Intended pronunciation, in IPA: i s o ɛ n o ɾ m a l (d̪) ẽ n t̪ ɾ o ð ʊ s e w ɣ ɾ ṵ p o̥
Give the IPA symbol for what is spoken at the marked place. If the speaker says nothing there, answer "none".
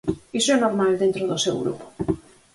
d̪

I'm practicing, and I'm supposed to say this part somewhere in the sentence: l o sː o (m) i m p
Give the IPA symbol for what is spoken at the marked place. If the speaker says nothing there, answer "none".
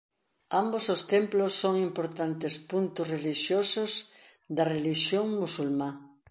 ŋ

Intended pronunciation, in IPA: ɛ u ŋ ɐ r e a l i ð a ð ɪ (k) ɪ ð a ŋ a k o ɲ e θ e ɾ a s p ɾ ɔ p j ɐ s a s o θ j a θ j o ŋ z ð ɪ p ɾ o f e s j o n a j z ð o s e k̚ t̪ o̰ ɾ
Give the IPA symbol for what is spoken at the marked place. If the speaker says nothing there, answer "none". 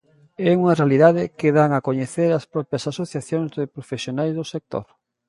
k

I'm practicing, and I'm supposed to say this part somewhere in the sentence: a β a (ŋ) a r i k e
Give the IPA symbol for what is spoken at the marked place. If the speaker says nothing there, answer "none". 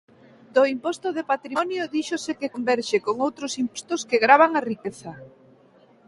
ŋ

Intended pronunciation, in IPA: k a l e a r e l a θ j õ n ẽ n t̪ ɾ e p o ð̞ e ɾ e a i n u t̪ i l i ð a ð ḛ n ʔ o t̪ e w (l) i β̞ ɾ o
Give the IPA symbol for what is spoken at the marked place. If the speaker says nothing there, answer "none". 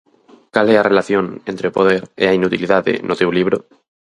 l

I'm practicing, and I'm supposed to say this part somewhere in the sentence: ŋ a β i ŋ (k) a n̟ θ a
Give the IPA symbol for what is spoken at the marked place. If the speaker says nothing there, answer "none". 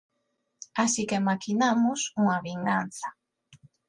ɡ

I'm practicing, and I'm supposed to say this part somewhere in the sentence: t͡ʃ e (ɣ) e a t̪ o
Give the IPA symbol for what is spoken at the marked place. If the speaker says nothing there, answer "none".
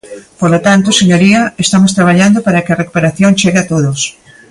ɣ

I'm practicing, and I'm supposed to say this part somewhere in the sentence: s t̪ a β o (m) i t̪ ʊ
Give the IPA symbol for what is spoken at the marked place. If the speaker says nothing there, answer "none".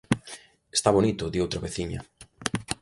n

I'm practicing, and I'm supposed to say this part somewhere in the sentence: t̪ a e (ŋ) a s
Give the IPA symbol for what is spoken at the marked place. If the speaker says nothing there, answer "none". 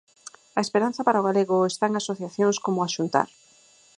ŋ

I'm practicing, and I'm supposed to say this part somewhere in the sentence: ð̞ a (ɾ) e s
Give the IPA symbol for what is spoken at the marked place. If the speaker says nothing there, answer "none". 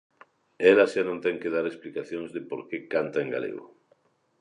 ɾ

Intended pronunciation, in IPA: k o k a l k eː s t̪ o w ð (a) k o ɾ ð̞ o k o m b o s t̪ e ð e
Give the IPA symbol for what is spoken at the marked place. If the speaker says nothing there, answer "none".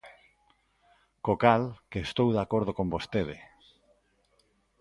a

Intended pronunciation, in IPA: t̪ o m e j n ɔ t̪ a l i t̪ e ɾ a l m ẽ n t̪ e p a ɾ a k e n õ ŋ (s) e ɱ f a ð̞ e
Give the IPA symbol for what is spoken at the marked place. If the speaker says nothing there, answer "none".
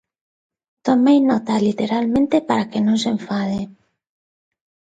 s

